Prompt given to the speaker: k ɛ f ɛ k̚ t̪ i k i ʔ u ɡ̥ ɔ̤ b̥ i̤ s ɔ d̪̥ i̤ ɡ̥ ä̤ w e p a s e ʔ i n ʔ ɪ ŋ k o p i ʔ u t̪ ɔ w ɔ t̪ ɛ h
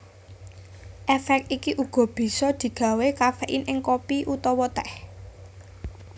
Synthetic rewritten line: ʔ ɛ f ɛ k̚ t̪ i k i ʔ u ɡ̥ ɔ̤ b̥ i̤ s ɔ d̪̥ i̤ ɡ̥ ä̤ w e k a f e ʔ i n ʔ ɪ ŋ k o p i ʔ u t̪ ɔ w ɔ t̪ ɛ h